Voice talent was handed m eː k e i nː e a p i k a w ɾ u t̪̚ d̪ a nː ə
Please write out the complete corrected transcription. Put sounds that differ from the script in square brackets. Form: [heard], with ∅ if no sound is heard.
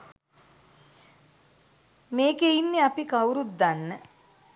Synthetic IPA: m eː k e i nː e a p i k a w ɾ u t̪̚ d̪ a nː ə

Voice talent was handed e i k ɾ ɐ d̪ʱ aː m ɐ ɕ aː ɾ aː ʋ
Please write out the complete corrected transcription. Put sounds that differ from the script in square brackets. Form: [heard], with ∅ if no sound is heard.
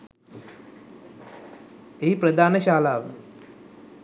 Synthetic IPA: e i [p] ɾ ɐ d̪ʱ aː [n] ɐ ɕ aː [l] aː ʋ

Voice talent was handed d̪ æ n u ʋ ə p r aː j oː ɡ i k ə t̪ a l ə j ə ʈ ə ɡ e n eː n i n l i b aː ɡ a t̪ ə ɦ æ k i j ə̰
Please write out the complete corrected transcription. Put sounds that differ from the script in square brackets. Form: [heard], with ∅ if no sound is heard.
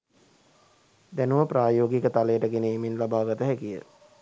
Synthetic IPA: d̪ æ n u ʋ ə p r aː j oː ɡ i k ə t̪ a l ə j ə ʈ ə ɡ e n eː [m] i n l [a] b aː ɡ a t̪ ə ɦ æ k i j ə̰

